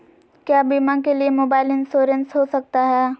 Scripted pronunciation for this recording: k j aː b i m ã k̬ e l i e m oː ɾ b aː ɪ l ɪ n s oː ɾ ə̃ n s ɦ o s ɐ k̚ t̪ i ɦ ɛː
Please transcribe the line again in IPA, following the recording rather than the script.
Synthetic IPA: k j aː b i m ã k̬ e l i e m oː b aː ɪ l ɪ n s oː ɾ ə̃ n s ɦ o s ɐ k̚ t̪ a ɦ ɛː